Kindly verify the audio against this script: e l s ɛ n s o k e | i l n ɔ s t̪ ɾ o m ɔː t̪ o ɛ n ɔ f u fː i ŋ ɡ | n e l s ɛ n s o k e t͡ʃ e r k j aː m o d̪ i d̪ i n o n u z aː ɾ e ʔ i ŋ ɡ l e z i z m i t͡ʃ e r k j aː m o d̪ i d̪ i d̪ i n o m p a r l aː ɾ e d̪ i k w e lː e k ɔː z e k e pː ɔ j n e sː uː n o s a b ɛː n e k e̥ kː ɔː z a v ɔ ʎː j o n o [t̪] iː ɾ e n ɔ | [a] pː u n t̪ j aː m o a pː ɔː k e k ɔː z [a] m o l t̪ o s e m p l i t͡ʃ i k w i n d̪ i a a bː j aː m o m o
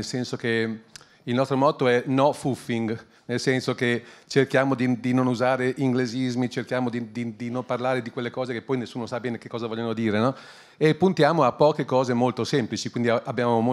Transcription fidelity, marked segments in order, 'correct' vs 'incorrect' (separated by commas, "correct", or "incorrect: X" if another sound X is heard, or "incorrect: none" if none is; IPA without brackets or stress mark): incorrect: d̪, incorrect: e, incorrect: e